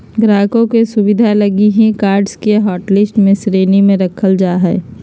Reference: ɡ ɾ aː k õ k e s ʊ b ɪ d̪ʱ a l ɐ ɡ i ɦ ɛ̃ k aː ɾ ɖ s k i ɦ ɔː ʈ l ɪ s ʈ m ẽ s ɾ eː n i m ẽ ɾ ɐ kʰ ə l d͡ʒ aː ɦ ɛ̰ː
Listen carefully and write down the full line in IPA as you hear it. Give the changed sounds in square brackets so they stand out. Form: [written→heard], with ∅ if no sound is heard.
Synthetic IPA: ɡ ɾ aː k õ k e s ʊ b ɪ d̪ʱ a l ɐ ɡ i ɦ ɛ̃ k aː ɾ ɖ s k [i→e] ɦ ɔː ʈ l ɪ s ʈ m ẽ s ɾ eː n i m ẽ ɾ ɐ kʰ ə l d͡ʒ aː ɦ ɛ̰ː